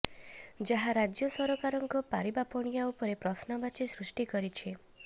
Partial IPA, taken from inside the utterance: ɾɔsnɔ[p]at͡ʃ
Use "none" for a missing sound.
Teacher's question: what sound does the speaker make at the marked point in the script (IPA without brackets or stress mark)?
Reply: b